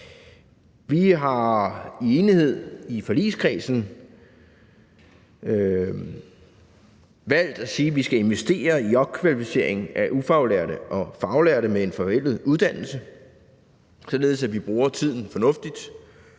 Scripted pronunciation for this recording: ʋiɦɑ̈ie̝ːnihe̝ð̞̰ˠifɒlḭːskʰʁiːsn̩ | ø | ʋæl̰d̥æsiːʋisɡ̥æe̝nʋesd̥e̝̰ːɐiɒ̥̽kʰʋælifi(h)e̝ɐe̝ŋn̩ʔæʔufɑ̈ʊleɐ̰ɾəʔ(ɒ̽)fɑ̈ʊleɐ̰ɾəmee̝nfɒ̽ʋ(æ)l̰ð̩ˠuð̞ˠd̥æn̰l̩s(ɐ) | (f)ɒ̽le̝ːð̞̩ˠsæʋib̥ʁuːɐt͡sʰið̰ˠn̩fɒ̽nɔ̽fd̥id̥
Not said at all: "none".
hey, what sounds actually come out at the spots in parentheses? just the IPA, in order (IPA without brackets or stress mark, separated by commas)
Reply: s, ɒ̽, e, ə, s